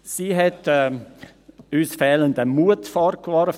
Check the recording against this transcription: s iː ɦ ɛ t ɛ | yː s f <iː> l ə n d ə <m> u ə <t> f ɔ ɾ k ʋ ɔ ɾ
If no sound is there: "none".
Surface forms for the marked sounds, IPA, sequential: ɛː, m, t

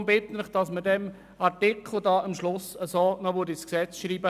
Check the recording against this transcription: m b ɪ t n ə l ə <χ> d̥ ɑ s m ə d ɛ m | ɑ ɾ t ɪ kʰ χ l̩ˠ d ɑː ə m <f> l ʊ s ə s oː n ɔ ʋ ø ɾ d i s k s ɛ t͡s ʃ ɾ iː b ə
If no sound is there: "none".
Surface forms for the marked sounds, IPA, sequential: χ, ʃ

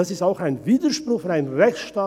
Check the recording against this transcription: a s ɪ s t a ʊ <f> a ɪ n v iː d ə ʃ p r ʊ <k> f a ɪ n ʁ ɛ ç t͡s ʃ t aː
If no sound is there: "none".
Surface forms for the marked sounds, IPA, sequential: x, x

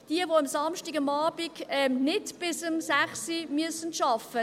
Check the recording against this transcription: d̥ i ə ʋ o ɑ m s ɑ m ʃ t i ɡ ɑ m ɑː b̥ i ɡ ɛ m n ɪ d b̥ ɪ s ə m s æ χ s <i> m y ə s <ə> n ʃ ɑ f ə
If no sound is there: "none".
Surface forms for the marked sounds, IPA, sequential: i, ə

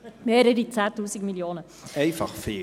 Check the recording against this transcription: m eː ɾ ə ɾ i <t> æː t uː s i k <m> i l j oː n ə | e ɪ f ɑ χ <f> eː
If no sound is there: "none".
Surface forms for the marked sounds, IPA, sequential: t͡s, m, f

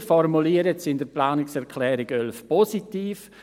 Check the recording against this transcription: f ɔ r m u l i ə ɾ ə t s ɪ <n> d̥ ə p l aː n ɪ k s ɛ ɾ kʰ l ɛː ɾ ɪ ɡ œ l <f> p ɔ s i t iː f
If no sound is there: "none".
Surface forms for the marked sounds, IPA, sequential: n, f

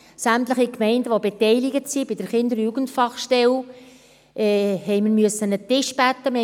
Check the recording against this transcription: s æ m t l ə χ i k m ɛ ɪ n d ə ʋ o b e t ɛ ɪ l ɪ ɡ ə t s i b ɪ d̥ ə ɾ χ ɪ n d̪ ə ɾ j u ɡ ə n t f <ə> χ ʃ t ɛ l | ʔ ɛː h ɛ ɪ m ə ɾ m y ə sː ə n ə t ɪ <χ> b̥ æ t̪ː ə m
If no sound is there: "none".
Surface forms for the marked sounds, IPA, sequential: ɑ, ʃ

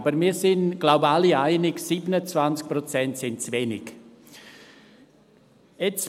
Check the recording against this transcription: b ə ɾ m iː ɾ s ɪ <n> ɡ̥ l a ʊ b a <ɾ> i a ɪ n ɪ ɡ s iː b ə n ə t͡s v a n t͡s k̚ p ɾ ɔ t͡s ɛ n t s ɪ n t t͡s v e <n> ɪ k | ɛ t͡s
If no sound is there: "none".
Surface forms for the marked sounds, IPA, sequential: n, l, n

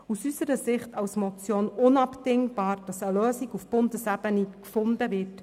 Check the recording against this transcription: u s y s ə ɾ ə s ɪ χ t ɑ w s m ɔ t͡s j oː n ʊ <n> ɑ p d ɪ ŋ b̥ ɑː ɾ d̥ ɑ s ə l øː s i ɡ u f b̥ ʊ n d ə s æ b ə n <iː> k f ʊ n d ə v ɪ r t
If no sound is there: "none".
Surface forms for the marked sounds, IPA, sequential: n, i

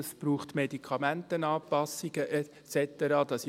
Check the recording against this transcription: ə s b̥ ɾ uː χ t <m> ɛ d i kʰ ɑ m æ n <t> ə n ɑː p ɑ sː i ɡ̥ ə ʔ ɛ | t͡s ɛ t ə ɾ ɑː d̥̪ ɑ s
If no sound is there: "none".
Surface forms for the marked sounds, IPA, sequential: m, t

